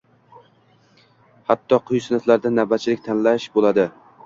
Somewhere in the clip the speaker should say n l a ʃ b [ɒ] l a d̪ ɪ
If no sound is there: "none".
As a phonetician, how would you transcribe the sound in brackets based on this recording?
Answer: o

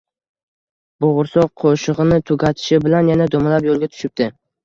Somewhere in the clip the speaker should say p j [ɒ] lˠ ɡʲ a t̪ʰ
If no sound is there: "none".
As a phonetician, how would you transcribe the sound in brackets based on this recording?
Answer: o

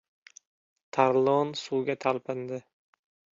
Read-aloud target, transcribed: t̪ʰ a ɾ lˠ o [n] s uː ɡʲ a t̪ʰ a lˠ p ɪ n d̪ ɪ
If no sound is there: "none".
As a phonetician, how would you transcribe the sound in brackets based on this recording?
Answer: n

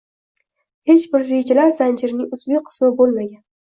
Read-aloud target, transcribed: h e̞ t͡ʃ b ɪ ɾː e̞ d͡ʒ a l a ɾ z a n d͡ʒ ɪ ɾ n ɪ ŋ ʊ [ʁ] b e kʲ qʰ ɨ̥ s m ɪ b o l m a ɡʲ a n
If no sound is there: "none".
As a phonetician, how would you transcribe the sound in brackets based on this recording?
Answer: z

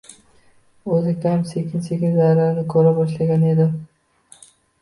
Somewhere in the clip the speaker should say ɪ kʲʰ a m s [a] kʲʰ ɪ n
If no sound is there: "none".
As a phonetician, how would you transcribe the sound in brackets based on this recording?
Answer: e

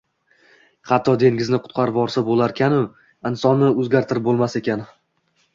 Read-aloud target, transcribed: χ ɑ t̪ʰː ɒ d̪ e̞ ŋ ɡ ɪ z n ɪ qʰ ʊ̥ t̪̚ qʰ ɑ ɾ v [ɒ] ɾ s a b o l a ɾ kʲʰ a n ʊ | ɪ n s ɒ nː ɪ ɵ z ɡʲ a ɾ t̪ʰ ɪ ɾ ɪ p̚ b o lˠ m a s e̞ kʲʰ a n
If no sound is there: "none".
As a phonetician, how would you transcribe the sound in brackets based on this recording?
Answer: ɒ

